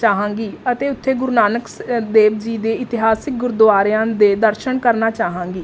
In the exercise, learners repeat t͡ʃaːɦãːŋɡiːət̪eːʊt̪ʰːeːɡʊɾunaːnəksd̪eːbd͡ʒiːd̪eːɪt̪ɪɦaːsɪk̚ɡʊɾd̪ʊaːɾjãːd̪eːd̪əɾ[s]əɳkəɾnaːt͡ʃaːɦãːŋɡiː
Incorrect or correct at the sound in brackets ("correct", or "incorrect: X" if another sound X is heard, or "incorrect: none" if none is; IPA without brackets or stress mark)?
incorrect: ʃ